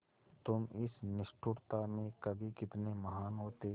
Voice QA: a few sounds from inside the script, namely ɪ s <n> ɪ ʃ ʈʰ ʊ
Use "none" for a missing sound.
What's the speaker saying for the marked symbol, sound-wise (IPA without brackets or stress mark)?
n